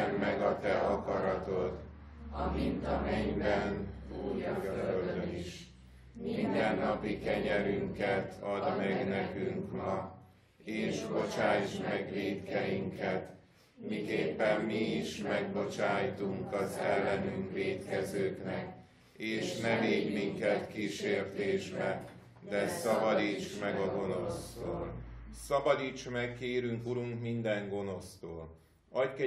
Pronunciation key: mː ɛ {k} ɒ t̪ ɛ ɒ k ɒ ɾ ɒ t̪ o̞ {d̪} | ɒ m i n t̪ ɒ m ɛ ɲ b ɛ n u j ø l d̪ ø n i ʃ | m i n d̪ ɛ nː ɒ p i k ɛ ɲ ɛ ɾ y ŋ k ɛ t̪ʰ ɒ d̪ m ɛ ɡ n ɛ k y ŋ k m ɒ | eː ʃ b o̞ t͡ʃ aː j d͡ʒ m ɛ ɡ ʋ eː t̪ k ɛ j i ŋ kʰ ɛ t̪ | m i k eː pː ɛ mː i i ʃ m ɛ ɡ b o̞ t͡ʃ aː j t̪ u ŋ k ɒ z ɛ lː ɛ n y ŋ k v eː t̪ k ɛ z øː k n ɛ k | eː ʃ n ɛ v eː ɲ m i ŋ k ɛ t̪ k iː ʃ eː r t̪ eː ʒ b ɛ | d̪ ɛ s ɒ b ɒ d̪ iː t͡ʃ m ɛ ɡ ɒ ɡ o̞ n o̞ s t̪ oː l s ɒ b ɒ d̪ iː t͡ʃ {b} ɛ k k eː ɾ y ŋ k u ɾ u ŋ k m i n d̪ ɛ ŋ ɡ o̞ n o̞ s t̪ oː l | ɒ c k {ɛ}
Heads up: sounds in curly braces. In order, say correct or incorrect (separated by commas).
incorrect, incorrect, incorrect, correct